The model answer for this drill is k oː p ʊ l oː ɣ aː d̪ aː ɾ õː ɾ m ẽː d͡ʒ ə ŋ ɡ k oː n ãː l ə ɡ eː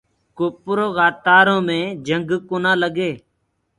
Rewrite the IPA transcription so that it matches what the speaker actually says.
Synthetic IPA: k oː p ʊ ɾ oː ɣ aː t̪ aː ɾ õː m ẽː d͡ʒ ə ŋ ɡ k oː n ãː l ə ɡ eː

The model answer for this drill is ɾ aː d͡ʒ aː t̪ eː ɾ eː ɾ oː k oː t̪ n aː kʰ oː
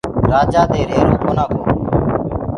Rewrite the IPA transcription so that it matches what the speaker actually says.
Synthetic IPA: ɾ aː d͡ʒ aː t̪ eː ɾ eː ɾ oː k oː n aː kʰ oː

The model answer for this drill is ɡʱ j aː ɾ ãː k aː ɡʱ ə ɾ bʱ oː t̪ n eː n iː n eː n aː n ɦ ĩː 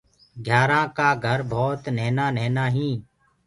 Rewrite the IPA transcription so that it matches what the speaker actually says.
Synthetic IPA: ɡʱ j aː ɾ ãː k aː ɡʱ ə ɾ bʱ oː t̪ n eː n aː n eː n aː ɦ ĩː

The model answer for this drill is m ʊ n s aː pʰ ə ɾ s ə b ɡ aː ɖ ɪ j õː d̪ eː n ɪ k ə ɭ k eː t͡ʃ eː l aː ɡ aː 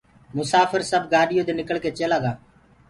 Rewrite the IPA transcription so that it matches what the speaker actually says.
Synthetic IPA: m ʊ s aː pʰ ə ɾ s ə b ɡ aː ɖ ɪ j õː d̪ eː n ɪ k ə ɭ k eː t͡ʃ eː l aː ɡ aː

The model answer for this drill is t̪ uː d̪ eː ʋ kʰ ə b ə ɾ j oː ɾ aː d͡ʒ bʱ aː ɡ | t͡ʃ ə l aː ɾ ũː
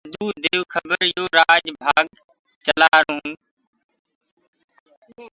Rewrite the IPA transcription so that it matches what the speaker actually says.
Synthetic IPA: d̪ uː d̪ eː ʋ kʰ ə b ə ɾ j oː ɾ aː d͡ʒ bʱ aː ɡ | t͡ʃ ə l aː ɾ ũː

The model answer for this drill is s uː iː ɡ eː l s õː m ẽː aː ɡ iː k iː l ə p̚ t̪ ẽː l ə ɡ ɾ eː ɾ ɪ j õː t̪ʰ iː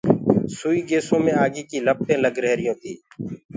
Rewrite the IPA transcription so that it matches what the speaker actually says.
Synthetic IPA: s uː iː ɡ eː s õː m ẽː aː ɡ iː k iː l ə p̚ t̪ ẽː l ə ɡ ɾ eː ɾ ɪ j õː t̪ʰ iː

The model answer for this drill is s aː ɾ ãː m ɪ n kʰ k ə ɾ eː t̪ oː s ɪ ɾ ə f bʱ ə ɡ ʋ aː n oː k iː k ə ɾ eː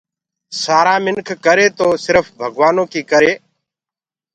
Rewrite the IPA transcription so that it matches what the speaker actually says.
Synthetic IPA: s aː ɾ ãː m ɪ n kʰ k ə ɾ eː t̪ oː s ɪ ɾ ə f bʱ ə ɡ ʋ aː n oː k iː k ə ɾ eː

